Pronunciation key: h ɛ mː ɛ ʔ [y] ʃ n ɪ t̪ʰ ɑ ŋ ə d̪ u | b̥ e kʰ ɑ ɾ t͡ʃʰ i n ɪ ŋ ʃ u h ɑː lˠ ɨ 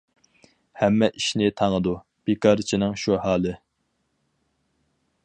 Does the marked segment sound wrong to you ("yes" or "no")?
yes